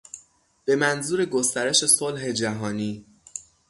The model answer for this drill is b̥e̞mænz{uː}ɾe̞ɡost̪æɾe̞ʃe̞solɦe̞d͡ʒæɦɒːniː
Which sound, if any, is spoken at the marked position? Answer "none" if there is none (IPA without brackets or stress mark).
uː